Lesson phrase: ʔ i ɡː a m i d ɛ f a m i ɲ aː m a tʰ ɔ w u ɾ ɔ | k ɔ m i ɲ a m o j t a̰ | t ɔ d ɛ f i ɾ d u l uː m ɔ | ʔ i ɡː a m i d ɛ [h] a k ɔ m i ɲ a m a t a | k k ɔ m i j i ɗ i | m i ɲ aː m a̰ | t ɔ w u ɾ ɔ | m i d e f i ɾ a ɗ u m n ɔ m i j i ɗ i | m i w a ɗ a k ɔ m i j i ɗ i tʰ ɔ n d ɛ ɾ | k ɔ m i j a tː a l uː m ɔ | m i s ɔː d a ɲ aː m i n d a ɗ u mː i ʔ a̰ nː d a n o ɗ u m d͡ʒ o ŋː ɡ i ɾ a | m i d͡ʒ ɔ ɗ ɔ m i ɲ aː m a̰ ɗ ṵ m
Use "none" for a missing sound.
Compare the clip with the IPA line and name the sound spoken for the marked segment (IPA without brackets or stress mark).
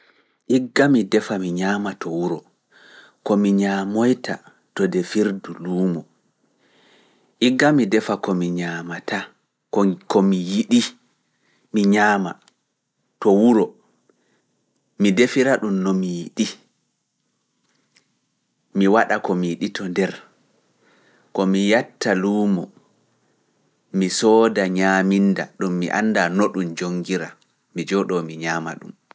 f